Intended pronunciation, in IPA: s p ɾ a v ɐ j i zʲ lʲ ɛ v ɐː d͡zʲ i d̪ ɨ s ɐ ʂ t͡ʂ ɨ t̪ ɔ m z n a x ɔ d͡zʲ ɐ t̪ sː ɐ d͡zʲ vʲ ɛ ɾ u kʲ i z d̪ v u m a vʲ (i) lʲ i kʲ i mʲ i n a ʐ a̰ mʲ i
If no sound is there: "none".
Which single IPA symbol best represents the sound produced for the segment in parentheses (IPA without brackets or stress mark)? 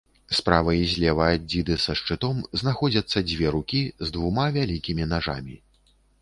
a